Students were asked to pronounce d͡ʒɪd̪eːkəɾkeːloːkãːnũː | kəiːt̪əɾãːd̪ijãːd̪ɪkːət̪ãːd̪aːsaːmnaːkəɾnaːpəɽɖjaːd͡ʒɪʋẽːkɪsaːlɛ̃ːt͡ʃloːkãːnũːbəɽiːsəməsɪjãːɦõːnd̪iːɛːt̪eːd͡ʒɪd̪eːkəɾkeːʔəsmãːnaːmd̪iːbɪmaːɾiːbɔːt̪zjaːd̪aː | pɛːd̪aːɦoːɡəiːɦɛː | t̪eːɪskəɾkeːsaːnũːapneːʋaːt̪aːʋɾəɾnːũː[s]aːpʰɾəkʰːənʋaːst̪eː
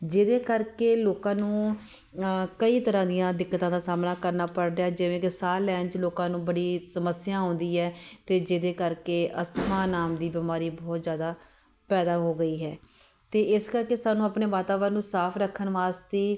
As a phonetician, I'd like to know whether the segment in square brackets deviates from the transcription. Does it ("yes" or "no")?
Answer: no